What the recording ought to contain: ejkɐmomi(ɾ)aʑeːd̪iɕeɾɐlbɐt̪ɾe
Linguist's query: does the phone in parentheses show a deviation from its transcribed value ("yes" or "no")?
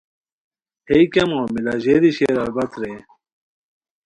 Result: yes